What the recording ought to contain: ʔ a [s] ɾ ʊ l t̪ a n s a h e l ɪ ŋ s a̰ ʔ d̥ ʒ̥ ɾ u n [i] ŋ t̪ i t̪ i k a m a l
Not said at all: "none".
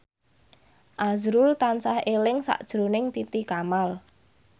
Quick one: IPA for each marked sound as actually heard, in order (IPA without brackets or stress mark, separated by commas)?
z, ɪ